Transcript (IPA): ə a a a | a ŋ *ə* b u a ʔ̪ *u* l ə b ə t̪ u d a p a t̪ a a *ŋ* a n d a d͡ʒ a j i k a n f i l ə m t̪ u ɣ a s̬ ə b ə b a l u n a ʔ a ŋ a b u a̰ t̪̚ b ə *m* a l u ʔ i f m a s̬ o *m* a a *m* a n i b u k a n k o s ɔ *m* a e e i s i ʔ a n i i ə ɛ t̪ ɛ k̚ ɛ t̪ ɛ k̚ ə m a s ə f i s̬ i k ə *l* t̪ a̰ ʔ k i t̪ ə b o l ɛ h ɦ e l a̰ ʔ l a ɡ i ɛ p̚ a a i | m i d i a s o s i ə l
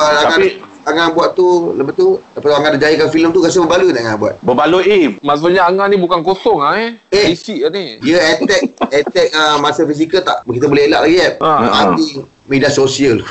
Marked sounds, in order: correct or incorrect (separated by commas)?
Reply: incorrect, correct, correct, incorrect, incorrect, incorrect, incorrect, correct